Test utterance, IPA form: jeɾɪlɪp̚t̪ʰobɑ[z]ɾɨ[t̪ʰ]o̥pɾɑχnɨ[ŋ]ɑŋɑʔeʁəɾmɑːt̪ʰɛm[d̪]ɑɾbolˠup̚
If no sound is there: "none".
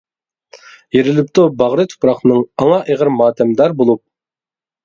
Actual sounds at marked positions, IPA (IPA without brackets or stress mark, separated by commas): ʁ, t̪ʰ, ŋ, d̪